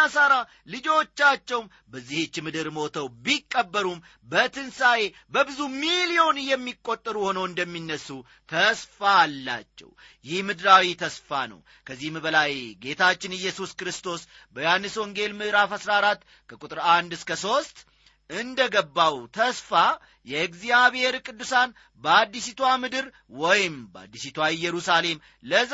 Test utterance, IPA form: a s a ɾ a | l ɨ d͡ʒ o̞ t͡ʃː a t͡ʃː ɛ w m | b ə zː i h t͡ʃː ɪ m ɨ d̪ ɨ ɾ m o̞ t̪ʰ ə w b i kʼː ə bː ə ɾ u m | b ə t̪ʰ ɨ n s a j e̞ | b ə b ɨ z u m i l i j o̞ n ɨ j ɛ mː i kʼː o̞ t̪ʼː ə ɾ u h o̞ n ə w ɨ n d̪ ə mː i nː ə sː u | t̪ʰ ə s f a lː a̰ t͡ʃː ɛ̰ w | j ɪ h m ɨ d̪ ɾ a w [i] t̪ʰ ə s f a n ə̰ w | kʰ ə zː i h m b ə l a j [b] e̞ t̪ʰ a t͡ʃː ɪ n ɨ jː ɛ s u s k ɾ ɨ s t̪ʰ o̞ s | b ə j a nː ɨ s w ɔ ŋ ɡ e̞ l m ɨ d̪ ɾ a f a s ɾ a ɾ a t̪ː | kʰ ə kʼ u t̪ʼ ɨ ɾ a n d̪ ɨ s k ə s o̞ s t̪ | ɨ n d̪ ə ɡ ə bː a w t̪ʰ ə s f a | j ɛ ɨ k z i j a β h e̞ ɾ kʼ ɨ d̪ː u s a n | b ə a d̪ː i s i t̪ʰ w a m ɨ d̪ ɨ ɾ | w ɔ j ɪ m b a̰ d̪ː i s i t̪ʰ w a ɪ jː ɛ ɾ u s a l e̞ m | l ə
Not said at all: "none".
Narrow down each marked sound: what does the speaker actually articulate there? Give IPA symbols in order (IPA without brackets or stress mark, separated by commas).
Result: i, ɡ